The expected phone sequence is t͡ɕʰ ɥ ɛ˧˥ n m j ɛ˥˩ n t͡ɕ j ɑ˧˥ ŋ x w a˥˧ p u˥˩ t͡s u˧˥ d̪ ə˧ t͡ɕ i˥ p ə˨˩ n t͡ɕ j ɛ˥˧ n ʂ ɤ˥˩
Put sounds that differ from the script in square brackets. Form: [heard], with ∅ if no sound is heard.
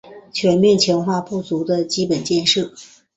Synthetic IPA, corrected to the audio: t͡ɕʰ ɥ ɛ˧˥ n m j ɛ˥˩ n [t͡ɕʰ] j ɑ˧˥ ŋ x w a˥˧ p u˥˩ t͡s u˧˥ d̪ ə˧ t͡ɕ i˥ p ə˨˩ n t͡ɕ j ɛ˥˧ n ʂ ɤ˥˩